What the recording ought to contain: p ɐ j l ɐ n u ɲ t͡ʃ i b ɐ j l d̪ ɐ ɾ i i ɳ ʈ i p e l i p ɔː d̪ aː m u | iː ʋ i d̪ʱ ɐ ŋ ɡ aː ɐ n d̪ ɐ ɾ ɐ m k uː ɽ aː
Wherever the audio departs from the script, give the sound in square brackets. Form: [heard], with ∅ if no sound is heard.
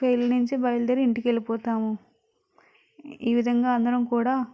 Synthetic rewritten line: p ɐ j l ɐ n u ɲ t͡ʃ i b ɐ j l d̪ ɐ ɾ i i ɳ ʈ i [k] e l i p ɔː [t̪] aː m u | iː ʋ i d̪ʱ ɐ ŋ ɡ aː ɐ n d̪ ɐ ɾ ɐ m k uː ɽ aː

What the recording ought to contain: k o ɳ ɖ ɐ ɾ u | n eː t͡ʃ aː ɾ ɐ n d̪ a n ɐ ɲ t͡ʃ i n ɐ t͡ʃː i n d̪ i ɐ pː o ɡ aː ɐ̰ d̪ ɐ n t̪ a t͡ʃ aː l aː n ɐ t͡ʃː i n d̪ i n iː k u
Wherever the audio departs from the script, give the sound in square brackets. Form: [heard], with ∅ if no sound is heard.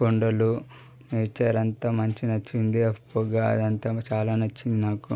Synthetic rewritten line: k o ɳ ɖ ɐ [l] u | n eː t͡ʃ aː ɾ ɐ n [t̪] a [m] ɐ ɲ t͡ʃ i n ɐ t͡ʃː i n d̪ i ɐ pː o ɡ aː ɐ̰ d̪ ɐ n t̪ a t͡ʃ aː l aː n ɐ t͡ʃː i n d̪ i n [aː] k u

